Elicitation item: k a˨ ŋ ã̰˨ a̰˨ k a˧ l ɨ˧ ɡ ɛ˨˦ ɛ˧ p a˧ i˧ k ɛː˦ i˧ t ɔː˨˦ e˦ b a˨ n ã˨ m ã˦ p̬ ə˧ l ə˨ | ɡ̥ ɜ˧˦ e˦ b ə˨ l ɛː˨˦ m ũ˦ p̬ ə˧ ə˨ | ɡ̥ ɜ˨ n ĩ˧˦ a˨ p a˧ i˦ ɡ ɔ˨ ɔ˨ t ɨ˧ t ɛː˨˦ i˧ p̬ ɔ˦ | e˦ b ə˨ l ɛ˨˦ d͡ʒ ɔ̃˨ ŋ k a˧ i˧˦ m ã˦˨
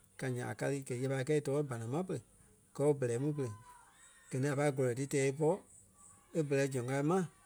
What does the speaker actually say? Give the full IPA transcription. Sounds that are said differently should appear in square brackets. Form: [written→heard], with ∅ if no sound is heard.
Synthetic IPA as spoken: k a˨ [ŋ→ɲ] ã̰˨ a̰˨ k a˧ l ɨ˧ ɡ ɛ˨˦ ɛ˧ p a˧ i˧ k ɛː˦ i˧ t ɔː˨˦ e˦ b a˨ n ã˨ m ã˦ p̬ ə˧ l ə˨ | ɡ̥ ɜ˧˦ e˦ b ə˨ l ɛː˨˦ m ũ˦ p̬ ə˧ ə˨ | ɡ̥ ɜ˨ n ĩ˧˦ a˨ p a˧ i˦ ɡ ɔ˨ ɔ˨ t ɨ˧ t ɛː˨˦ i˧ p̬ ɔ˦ | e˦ b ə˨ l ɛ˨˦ d͡ʒ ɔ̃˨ ŋ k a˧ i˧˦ m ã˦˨

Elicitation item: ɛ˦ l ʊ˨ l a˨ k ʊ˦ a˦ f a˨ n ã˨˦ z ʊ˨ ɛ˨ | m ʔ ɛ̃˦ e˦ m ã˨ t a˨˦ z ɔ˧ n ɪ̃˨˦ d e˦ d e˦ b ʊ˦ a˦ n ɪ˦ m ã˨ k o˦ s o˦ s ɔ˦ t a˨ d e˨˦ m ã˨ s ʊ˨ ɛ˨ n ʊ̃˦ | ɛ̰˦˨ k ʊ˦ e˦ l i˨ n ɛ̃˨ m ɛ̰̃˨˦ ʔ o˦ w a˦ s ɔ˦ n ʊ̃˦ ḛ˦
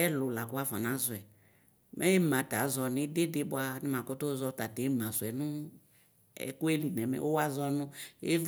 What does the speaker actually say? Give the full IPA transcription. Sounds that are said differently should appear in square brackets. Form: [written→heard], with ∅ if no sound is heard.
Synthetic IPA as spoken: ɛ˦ l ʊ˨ l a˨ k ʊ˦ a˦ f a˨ n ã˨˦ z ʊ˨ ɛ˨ | m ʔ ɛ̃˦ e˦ m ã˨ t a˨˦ z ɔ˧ n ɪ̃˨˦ d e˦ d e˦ b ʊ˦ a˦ n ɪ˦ m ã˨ k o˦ [s→t] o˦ [s→z] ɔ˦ t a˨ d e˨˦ m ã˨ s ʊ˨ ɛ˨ n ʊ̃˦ | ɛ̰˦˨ k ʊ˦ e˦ l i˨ n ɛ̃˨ m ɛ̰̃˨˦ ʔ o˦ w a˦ [s→z] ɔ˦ n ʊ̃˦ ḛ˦

